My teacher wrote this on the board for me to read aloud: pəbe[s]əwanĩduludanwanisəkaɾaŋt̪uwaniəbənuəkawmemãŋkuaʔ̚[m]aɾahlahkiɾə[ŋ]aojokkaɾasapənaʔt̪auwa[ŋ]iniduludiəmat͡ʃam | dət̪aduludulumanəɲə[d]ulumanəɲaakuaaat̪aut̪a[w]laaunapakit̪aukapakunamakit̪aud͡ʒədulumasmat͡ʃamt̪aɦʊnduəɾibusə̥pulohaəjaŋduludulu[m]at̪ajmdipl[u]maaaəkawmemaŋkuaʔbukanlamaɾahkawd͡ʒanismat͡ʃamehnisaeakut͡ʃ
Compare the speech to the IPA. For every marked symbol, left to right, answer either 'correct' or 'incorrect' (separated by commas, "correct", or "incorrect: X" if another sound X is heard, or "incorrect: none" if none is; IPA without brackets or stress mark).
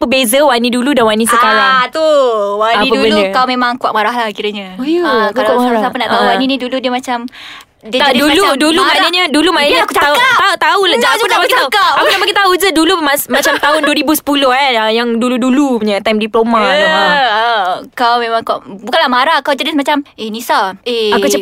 incorrect: z, correct, incorrect: ɲ, incorrect: n, correct, incorrect: u, incorrect: ɲ, incorrect: o